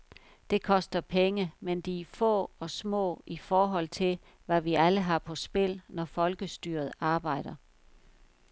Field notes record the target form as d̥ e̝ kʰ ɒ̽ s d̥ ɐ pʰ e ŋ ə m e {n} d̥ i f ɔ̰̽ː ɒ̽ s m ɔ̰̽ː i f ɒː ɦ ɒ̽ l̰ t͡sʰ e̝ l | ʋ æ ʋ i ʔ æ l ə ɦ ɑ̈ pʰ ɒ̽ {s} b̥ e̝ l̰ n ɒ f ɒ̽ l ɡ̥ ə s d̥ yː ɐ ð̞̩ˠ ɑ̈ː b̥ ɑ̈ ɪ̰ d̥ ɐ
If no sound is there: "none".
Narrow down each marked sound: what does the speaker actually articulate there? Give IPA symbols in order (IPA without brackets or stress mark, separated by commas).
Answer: n, s